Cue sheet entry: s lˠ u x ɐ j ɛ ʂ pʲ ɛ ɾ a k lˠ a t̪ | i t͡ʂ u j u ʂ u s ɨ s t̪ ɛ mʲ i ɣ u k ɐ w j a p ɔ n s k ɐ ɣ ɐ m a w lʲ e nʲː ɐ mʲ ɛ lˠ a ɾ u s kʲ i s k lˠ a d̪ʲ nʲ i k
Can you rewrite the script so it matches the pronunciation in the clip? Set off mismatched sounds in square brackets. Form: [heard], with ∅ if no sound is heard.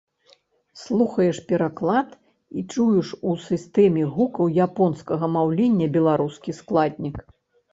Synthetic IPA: s lˠ u x ɐ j ɛ ʂ pʲ ɛ ɾ a k lˠ a t̪ | i t͡ʂ u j u ʂ u s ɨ s t̪ ɛ mʲ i ɣ u k ɐ w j a p ɔ n s k ɐ ɣ ɐ m a w lʲ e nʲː ɐ [bʲ] ɛ lˠ a ɾ u s kʲ i s k lˠ a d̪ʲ nʲ i k